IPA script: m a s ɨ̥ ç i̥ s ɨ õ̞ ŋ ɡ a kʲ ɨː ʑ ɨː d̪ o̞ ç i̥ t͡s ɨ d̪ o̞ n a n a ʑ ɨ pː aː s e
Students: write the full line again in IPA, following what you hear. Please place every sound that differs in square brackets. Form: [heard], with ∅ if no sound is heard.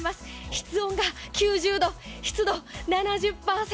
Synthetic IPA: m a s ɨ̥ ç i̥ [t͡s] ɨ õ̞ ŋ ɡ a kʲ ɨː ʑ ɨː d̪ o̞ ç i̥ t͡s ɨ d̪ o̞ n a n a ʑ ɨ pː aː s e